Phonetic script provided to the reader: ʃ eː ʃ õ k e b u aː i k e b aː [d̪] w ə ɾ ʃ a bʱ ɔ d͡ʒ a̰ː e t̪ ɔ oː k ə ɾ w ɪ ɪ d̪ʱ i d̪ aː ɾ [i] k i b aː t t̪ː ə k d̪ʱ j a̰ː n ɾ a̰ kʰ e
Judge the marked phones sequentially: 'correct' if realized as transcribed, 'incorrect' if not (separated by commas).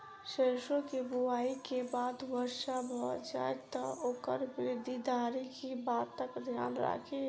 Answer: correct, correct